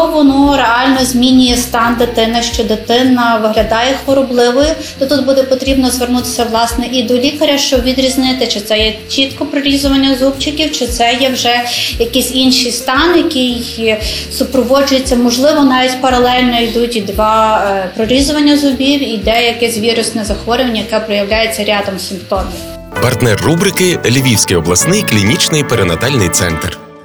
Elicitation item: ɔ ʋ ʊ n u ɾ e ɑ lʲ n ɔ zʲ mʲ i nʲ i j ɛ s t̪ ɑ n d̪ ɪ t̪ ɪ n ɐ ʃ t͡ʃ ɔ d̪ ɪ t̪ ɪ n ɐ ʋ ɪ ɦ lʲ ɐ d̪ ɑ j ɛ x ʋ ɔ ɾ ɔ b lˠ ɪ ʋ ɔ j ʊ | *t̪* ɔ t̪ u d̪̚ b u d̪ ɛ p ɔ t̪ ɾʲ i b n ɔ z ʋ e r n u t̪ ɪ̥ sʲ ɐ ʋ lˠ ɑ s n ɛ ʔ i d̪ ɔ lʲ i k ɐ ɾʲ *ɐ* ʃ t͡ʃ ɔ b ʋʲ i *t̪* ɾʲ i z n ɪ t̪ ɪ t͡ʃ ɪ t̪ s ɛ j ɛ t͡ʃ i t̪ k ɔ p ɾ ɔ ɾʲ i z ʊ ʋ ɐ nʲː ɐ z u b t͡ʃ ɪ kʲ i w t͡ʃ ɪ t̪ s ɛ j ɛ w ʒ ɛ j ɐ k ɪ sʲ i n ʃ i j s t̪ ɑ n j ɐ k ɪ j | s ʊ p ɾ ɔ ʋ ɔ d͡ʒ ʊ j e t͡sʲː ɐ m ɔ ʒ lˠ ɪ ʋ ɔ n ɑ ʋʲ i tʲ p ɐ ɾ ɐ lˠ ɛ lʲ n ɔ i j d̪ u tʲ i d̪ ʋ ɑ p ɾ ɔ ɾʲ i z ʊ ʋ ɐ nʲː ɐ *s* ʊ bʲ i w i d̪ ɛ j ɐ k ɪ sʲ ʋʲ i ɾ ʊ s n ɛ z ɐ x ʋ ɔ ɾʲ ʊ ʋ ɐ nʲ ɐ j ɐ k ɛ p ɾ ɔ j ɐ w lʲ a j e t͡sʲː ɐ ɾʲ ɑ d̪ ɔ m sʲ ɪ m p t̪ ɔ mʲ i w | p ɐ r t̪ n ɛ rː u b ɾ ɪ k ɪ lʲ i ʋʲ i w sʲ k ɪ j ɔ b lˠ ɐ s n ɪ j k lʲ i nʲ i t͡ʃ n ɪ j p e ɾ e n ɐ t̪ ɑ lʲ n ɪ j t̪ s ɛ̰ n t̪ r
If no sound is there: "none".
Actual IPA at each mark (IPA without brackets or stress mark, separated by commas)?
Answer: t̪, ɐ, d̪, z